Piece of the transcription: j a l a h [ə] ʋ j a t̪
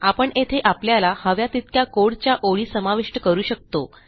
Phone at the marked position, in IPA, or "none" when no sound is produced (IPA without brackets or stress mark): ə